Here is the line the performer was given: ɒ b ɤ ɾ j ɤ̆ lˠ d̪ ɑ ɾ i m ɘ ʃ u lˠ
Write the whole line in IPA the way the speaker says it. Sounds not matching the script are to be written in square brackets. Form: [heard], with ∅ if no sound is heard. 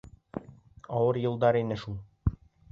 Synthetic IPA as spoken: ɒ [w] ɤ ɾ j ɤ̆ lˠ d̪ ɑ ɾ i [n] ɘ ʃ u lˠ